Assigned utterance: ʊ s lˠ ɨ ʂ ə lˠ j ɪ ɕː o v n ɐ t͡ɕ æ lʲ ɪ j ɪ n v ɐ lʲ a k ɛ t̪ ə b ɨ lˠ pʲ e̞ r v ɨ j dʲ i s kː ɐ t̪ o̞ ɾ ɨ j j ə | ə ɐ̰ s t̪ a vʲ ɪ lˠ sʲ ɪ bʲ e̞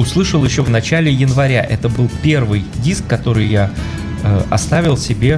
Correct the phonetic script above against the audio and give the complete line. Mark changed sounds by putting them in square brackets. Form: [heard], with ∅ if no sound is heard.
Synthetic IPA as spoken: ʊ s lˠ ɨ ʂ ə lˠ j ɪ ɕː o v n ɐ t͡ɕ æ lʲ ɪ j ɪ n v ɐ [ɾʲ] a [ʔ] ɛ t̪ ə b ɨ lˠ pʲ e̞ r v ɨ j dʲ i s kː ɐ t̪ o̞ ɾ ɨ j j [a] | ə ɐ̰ s t̪ a vʲ ɪ lˠ sʲ ɪ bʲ e̞